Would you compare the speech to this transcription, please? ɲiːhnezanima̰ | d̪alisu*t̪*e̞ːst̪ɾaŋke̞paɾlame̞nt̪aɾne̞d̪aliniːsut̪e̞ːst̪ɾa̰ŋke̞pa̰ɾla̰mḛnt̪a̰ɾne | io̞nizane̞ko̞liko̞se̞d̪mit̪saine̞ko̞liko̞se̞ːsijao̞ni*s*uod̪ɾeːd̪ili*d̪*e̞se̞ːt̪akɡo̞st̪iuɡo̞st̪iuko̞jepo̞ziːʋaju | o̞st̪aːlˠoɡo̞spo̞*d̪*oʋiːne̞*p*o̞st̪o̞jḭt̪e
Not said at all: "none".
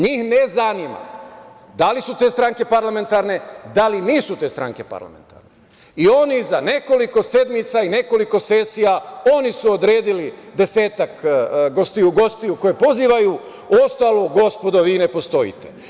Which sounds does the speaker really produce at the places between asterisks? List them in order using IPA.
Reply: t̪, s, d̪, d̪, p

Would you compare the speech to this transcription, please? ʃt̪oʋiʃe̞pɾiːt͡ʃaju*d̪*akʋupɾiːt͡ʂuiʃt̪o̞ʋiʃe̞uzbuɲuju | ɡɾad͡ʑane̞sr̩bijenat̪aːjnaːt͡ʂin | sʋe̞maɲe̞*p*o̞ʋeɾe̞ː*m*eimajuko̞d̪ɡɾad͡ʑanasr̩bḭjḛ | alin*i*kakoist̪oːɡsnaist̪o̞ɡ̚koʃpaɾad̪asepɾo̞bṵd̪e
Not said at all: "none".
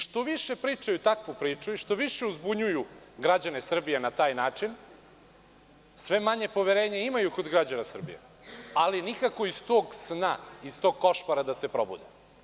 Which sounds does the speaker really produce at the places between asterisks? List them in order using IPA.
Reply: t̪, p, ɲ, i

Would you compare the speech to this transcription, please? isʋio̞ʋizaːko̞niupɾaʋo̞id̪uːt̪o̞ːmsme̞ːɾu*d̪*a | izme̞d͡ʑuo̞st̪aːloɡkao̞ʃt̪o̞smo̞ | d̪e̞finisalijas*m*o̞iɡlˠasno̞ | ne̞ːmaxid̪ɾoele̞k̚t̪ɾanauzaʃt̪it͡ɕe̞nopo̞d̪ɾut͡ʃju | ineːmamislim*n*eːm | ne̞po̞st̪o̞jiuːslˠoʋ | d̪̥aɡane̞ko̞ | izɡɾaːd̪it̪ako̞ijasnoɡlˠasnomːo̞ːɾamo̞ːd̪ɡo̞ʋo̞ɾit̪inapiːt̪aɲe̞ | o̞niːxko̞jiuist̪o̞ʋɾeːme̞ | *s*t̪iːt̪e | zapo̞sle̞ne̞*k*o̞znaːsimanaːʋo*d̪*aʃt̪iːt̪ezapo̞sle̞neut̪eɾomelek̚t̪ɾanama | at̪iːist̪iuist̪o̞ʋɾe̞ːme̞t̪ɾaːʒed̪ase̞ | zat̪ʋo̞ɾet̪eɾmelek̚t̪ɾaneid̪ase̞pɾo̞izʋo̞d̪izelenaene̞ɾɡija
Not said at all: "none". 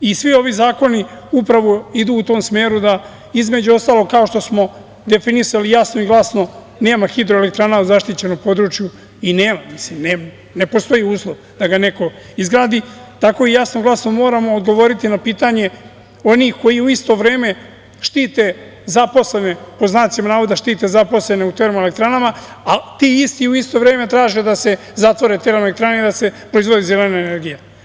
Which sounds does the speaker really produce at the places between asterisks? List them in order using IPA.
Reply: d̪, n, n, ʃ, p, d̪

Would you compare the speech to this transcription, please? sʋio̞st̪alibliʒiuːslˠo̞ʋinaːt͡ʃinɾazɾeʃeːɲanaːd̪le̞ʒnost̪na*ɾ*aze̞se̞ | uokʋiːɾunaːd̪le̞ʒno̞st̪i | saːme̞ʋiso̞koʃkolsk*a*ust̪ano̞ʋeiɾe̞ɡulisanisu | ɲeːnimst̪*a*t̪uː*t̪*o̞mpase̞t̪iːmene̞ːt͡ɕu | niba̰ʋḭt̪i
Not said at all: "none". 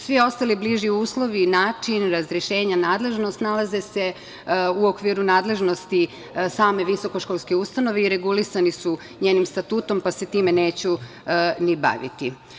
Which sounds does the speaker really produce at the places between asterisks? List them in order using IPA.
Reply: l, e, a, t̪

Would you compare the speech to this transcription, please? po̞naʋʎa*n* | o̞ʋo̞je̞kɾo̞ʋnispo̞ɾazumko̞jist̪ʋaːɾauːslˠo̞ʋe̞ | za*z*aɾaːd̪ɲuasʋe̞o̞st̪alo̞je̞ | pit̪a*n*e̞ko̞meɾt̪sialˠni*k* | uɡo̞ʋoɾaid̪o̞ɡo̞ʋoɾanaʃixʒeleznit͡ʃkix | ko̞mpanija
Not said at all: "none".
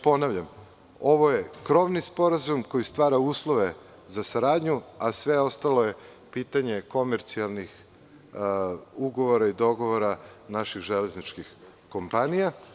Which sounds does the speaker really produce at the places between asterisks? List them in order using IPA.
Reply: m, s, ɲ, x

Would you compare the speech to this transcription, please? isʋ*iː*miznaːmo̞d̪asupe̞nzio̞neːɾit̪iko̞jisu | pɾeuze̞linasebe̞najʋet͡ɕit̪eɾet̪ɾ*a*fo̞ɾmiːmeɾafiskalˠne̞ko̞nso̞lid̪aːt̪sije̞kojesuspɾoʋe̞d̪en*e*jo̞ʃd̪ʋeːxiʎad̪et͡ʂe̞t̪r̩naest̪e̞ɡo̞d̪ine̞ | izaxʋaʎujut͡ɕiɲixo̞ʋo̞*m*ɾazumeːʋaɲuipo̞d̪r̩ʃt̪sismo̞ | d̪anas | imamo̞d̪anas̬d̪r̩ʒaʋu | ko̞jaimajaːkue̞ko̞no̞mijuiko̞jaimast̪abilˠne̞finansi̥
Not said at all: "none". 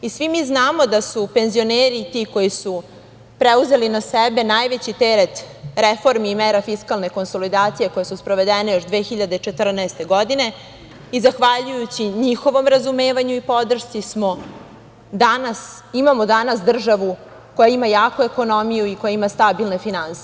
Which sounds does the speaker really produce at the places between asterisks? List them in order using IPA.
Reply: i, e, e, m

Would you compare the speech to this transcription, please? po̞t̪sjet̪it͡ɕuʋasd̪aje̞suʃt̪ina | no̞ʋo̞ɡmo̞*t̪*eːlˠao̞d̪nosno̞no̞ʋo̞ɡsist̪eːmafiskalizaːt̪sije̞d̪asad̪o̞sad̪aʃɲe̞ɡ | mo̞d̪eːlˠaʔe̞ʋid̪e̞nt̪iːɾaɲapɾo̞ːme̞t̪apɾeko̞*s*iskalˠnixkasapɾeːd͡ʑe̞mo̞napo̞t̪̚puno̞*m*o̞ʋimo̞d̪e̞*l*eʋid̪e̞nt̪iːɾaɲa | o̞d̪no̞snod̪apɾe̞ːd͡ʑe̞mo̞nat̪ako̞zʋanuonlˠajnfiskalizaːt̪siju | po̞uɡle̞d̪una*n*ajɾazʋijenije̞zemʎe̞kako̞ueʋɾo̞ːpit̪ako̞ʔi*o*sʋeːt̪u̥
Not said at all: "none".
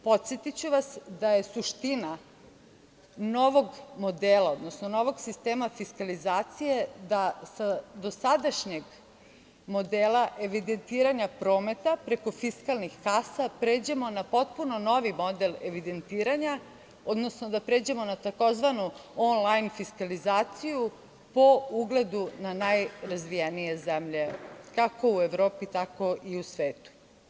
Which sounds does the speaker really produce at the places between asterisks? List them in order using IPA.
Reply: d̪, f, n, l, n, u

